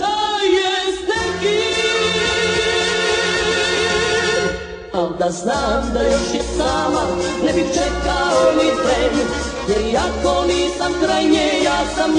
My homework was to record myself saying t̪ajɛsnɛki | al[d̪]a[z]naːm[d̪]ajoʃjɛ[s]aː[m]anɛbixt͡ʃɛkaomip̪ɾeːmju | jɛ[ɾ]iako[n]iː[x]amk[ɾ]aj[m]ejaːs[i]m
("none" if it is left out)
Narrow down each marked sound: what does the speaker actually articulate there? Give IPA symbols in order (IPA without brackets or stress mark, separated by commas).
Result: d̪, z, d̪, s, m, ɾ, n, s, ɾ, ɲ, a